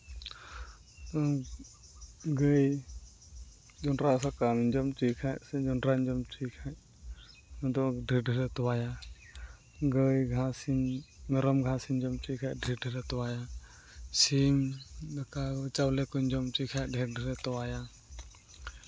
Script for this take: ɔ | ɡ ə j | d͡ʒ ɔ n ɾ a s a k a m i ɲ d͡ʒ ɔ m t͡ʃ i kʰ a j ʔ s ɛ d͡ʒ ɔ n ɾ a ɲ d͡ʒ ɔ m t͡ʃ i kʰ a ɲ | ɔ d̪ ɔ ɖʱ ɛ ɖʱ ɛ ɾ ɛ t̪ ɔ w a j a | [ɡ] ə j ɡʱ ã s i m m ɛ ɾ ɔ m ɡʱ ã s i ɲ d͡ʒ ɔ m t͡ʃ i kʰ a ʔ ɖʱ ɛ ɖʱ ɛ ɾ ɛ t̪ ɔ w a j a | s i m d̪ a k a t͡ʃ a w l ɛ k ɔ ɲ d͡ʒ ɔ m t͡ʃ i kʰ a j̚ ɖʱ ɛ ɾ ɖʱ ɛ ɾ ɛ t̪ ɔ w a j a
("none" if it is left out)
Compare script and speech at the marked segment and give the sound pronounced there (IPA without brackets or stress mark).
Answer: ɡ